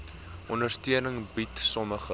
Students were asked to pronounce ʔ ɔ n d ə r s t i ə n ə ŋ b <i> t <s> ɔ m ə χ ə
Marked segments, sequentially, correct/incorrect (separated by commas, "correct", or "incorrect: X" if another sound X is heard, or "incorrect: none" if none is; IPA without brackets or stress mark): correct, correct